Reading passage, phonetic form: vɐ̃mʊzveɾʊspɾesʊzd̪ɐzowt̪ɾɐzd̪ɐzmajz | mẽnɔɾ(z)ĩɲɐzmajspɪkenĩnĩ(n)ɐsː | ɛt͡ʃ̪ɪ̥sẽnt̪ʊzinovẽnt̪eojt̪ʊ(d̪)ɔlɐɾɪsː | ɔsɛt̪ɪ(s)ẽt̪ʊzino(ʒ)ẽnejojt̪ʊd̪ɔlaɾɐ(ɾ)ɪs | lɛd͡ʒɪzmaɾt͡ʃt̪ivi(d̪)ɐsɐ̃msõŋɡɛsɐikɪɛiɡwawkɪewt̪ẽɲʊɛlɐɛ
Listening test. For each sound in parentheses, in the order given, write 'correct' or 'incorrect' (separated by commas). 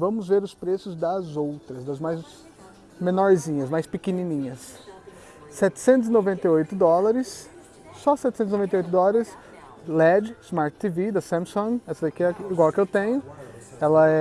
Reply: correct, incorrect, correct, correct, incorrect, correct, correct